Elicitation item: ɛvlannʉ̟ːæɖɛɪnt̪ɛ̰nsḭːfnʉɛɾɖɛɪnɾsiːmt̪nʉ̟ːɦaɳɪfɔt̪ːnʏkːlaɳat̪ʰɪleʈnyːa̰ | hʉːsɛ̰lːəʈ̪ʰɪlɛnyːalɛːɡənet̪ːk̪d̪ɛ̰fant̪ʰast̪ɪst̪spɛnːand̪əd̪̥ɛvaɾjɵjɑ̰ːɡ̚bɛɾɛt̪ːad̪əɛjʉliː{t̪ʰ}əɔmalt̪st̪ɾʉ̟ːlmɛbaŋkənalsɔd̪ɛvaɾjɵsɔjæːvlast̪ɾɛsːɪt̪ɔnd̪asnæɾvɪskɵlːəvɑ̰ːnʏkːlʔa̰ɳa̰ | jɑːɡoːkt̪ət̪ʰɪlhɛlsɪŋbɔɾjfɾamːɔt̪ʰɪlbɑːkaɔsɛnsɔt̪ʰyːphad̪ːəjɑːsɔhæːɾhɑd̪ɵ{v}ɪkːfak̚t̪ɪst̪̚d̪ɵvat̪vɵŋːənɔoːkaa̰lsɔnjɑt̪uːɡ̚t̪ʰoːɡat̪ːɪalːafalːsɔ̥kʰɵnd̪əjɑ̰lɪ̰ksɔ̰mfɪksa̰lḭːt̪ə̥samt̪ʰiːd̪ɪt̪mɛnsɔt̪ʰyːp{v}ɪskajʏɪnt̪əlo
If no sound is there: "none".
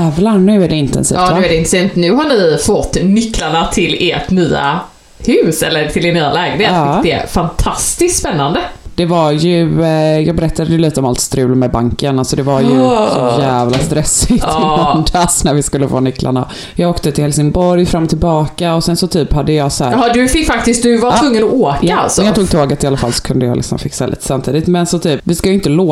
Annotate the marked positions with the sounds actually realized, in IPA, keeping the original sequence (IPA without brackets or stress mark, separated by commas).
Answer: t̪, f, v